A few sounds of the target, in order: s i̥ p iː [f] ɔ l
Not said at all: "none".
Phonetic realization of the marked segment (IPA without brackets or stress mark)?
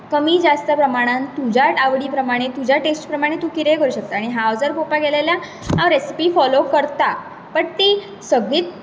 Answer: f